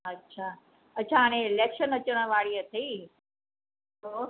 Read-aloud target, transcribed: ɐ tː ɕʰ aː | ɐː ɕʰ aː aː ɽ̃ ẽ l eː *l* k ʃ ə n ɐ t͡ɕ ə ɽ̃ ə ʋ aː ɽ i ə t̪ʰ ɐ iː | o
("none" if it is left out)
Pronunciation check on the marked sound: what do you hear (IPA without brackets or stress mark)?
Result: none